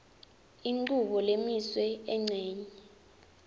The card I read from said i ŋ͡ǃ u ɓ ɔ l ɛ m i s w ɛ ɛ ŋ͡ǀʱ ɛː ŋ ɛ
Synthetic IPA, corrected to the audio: i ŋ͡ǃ u ɓ ɔ l e m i s w ɛ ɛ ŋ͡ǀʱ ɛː ɲ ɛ